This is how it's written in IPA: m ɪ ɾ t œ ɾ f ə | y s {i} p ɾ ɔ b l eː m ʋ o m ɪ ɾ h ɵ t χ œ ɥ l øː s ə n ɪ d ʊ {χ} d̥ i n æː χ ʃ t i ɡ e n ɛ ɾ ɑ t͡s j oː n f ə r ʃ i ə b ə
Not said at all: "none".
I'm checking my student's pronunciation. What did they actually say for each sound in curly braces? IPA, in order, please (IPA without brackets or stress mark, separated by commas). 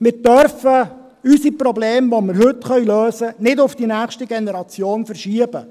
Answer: i, f